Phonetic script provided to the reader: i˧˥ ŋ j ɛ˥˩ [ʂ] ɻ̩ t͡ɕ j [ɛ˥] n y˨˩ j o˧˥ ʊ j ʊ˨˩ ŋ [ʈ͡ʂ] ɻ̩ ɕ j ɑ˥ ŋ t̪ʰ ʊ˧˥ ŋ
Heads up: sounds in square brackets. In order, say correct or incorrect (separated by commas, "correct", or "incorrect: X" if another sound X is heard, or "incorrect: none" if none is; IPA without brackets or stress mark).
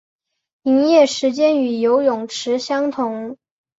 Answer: correct, correct, incorrect: ʈ͡ʂʰ